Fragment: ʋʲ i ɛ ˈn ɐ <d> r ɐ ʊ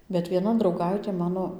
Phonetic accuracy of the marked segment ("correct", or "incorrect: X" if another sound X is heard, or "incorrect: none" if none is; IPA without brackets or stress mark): correct